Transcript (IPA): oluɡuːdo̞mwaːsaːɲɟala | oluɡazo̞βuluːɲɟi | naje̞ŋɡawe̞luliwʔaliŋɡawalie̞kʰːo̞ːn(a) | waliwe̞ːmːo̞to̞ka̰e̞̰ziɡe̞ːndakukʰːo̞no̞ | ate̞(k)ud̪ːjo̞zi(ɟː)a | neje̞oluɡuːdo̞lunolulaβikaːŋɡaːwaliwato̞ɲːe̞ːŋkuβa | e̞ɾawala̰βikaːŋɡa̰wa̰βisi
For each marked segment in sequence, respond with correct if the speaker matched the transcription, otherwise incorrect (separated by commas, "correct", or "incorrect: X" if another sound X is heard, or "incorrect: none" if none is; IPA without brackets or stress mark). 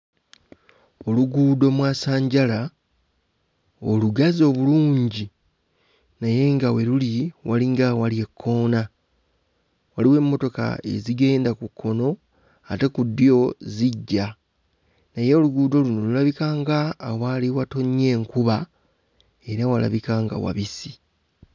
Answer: correct, correct, correct